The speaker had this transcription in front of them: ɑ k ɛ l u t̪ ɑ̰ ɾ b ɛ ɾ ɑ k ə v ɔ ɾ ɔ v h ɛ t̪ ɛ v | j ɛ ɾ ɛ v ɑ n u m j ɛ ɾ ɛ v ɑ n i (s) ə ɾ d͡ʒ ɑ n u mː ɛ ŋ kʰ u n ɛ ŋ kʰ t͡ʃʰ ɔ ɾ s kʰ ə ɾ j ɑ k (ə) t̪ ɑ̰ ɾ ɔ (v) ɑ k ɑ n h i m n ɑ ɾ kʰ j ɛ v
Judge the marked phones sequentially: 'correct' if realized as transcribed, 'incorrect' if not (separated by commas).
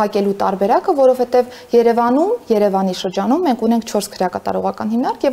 incorrect, incorrect, incorrect